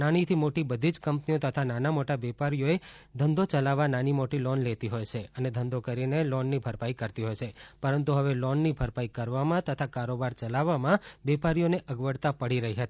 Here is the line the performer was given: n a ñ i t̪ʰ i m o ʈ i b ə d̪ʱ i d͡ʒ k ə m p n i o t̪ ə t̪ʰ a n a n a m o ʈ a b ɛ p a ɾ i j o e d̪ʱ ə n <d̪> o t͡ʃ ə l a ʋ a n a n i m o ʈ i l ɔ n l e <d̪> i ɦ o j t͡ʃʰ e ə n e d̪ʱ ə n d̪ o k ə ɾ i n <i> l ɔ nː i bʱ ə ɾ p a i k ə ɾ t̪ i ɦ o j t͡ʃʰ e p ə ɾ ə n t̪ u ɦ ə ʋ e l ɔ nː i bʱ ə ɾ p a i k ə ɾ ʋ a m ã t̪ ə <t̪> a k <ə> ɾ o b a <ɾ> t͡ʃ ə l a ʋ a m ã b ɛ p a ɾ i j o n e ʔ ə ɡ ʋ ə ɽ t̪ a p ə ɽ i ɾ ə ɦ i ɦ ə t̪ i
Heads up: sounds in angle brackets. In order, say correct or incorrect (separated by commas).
correct, incorrect, incorrect, incorrect, incorrect, correct